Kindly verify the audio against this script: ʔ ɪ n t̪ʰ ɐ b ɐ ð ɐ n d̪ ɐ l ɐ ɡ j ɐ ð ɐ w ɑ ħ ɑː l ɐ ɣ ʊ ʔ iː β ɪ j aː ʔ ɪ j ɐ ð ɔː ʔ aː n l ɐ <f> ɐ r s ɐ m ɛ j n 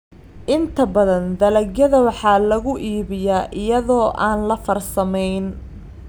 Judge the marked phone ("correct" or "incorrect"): correct